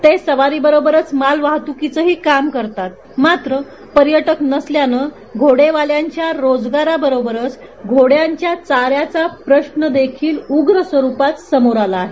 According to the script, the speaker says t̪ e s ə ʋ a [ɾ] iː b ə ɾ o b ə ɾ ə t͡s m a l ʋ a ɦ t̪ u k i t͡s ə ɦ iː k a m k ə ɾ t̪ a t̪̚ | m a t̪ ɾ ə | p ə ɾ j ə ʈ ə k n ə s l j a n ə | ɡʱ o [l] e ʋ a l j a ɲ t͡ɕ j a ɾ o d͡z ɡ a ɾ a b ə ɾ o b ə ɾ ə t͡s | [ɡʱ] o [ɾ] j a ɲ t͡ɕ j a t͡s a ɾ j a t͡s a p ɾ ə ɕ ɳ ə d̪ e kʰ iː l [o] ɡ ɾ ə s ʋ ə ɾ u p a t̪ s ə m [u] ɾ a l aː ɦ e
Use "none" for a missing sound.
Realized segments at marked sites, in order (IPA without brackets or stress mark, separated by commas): ɾ, ɽ, ɡʱ, ɽ, u, o